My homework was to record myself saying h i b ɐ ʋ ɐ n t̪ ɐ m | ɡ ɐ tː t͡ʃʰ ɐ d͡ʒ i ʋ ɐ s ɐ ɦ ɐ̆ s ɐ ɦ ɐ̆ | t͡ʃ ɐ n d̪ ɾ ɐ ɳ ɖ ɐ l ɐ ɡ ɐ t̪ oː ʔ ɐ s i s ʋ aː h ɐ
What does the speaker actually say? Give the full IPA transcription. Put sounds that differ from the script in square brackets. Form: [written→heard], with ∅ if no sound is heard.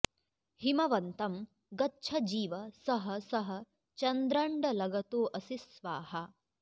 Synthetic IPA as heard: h i [b→m] ɐ ʋ ɐ n t̪ ɐ m | ɡ ɐ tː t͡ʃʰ ɐ d͡ʒ [i→iː] ʋ ɐ s ɐ ɦ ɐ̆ s ɐ ɦ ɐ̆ | t͡ʃ ɐ n d̪ ɾ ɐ ɳ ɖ ɐ l ɐ ɡ ɐ t̪ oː ʔ ɐ s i s ʋ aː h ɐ